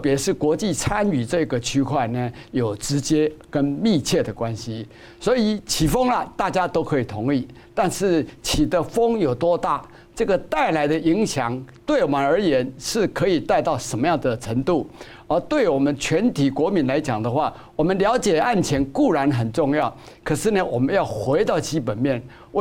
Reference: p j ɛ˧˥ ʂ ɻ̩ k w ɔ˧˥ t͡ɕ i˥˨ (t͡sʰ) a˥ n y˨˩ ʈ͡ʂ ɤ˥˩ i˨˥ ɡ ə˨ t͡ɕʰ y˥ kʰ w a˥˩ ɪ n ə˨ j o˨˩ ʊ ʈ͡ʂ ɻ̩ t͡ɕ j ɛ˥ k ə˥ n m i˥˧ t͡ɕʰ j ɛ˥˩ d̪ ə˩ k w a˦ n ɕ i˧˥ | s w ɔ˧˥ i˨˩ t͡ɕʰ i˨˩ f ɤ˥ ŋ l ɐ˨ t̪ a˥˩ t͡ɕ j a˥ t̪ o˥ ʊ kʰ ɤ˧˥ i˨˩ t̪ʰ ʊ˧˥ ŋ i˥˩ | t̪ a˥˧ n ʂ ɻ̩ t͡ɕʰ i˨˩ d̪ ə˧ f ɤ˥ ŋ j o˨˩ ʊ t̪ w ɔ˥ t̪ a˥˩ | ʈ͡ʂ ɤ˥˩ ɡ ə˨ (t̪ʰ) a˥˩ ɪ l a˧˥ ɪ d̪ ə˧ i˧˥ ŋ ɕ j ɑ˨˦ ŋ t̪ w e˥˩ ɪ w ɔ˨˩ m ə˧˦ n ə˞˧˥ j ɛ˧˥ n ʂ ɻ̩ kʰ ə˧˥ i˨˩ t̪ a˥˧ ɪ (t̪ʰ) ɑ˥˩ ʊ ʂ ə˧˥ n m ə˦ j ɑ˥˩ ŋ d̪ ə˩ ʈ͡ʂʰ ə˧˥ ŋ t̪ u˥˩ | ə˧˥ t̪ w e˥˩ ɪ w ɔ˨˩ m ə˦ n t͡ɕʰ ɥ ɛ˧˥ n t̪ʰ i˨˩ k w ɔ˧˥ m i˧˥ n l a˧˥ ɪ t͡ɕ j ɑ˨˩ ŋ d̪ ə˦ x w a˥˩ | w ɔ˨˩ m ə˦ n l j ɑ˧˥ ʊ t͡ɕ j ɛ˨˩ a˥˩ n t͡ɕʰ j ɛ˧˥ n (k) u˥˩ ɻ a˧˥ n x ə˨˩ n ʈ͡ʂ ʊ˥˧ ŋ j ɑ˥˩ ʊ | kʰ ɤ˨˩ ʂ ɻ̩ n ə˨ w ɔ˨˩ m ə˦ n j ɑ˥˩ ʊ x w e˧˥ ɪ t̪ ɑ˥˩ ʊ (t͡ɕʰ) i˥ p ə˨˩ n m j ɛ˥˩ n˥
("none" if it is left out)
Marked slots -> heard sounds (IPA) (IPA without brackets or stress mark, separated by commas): t͡sʰ, t̪, t̪, k, t͡ɕ